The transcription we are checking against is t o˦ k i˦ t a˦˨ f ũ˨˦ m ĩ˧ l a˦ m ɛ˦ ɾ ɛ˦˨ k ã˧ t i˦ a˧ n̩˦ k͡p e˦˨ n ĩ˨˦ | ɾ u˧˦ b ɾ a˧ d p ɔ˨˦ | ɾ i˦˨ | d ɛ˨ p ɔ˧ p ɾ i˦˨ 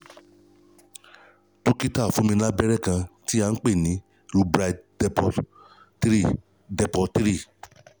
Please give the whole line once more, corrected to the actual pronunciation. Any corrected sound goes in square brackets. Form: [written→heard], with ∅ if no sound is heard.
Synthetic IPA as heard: t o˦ k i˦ t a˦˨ f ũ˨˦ m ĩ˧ l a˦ [m→b] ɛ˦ ɾ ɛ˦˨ k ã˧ t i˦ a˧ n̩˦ k͡p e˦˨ n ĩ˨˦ | ɾ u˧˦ b ɾ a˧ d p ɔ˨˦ | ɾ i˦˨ | d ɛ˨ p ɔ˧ [p→t] ɾ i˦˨